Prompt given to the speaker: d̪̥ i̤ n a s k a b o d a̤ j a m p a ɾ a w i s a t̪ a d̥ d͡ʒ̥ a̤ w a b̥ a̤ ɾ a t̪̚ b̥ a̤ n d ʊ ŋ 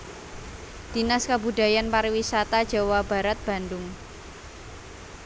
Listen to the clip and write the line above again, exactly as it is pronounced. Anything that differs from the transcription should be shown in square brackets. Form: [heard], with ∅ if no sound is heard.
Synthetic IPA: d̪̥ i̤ n a s k a b [u] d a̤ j a [n] p a ɾ [i] w i s a t̪ a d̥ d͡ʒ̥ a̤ w a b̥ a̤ ɾ a t̪̚ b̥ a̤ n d ʊ ŋ